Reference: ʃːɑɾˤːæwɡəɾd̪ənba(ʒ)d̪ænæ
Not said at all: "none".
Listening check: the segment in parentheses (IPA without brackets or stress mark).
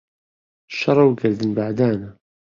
ʕ